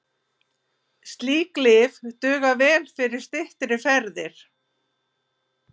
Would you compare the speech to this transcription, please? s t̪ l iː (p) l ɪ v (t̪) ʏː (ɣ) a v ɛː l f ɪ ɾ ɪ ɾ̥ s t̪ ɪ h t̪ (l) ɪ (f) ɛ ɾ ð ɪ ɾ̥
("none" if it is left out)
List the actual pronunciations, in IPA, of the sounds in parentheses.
k, t̪, ɣ, ɾ, f

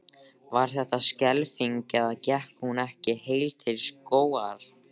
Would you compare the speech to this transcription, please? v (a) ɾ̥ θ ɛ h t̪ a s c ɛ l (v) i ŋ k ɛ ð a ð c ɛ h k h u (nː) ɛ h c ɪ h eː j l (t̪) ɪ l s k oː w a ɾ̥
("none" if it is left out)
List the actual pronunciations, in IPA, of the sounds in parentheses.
a, f, n, t̪ʰ

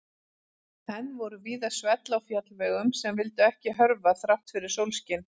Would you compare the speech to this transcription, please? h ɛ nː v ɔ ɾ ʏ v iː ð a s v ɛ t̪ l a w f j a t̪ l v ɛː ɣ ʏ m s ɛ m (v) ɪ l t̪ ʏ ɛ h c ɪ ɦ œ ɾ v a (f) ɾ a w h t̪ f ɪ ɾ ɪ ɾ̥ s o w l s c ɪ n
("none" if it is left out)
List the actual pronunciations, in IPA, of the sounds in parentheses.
v, θ

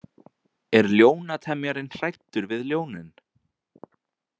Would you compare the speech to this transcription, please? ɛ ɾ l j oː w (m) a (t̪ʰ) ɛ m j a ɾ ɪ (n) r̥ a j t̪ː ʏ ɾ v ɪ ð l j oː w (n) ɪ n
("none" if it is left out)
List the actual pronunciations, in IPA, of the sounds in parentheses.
n, t̪ʰ, n, n

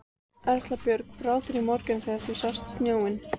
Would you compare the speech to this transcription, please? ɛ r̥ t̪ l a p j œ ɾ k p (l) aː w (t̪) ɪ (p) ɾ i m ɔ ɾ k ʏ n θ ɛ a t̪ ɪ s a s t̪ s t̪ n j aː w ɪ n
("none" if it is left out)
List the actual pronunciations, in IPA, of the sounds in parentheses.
ɾ, t̪, none

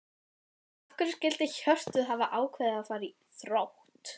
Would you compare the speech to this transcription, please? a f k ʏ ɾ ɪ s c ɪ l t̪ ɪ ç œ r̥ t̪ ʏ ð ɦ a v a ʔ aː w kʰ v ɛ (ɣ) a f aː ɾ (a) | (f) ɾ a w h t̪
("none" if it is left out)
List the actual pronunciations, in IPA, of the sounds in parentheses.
ð, i, θ

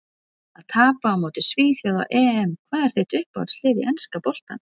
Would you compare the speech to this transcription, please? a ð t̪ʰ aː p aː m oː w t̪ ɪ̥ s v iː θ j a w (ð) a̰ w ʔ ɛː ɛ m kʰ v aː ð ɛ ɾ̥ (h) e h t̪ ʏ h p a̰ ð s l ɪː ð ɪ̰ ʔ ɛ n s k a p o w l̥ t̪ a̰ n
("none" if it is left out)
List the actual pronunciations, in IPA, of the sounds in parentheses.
ð, θ

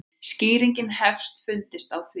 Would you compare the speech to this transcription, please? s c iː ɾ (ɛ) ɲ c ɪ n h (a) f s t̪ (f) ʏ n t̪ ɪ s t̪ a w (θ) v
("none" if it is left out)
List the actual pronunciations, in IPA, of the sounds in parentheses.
i, ɛ, f, θ

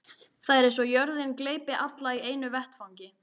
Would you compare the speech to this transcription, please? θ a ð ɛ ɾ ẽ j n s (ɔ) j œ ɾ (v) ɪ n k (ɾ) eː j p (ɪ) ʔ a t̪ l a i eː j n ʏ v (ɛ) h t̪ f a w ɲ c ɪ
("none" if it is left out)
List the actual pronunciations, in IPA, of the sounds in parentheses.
ɔ, ð, l, ɪ, ɛ

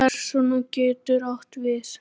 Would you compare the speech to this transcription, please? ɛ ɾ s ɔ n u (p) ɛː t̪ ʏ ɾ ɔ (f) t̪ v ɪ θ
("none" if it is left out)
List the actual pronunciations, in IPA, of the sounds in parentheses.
c, h

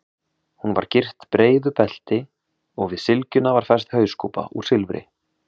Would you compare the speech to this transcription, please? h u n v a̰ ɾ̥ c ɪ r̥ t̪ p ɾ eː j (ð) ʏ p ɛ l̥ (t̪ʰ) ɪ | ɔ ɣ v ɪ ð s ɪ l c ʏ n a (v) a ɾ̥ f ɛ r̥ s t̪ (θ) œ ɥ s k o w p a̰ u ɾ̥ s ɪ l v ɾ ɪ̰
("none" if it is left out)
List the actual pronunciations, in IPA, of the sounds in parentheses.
ð, t̪, v, h

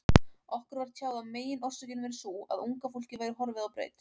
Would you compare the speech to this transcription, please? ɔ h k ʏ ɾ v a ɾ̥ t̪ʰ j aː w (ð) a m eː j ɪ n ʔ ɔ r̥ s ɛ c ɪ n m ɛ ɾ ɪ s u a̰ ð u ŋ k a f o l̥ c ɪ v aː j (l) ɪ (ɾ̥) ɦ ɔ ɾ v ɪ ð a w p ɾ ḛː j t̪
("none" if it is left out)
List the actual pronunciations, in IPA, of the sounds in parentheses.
ð, ɾ, none

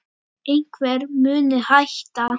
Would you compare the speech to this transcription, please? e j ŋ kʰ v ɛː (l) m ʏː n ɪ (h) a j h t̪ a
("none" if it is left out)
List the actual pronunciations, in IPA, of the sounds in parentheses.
ɾ, h

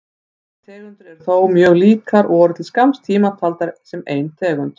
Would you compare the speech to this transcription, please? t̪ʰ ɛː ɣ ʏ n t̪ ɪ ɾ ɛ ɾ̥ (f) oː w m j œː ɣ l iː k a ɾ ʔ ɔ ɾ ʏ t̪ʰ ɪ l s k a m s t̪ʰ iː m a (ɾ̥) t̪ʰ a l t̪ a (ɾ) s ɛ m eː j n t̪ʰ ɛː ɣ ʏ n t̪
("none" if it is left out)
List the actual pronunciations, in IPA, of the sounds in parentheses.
θ, none, ɾ

